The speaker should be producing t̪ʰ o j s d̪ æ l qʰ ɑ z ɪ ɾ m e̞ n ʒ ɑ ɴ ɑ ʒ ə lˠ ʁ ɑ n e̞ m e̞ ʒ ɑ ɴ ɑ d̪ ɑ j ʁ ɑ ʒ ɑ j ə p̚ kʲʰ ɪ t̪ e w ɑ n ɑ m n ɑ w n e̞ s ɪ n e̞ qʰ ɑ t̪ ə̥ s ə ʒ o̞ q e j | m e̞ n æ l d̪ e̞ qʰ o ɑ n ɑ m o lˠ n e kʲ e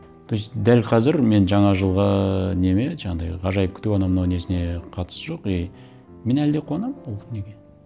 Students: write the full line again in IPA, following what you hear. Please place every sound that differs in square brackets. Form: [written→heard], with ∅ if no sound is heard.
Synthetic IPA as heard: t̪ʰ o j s d̪ æ l qʰ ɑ z ɪ ɾ m e̞ n ʒ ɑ ɴ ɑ ʒ ə lˠ ʁ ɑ n e̞ m e̞ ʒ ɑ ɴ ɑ d̪ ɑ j ʁ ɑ ʒ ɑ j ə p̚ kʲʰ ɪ t̪ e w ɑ n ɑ m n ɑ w n e̞ s ɪ n e̞ qʰ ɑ t̪ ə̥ s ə ʒ o̞ q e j | m e̞ n æ l d̪ e̞ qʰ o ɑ n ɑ m o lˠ n e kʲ e